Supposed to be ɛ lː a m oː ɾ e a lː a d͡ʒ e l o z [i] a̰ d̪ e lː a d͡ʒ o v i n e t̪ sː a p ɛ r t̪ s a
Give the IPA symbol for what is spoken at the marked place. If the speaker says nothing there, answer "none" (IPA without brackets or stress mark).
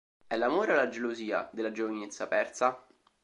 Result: iː